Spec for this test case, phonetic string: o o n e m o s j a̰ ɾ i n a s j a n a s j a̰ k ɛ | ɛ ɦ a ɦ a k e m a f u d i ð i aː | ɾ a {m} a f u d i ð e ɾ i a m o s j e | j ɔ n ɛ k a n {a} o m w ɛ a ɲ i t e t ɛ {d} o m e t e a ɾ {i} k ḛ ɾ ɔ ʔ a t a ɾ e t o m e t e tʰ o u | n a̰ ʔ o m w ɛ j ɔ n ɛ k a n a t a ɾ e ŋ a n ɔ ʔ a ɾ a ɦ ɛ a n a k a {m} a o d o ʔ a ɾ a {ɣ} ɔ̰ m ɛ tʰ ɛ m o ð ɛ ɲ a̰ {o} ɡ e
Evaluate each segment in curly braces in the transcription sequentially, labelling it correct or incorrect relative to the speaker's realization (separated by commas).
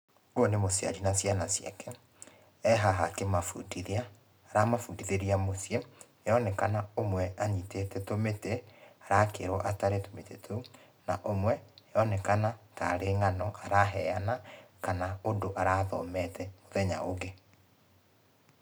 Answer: correct, correct, incorrect, incorrect, incorrect, incorrect, correct